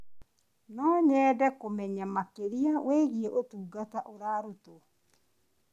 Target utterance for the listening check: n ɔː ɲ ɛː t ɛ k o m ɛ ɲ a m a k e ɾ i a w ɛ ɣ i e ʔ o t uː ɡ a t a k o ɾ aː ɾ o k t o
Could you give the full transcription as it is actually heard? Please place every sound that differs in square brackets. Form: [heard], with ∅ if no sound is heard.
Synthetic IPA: n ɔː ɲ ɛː [d] ɛ k o m ɛ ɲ a m a k e ɾ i a w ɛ ɣ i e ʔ o t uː ɡ a t a [ʔ] o ɾ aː ɾ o [∅] t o

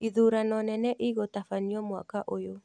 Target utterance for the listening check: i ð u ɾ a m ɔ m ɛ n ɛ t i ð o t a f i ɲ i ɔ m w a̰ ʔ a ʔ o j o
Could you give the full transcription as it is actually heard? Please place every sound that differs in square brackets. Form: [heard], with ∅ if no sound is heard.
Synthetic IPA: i ð u ɾ a [n] ɔ [n] ɛ n ɛ [ʔ] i [ɣ] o t a f [a] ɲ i ɔ m w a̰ [k] a ʔ o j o

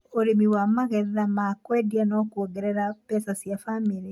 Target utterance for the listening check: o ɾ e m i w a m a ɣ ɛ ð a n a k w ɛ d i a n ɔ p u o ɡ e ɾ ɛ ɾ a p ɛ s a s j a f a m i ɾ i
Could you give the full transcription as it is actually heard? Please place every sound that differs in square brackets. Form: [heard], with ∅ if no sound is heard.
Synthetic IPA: o ɾ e m i w a m a ɣ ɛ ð a [m] a k w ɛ d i a n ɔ [k] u o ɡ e ɾ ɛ ɾ a p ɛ s a s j a f a m i ɾ i

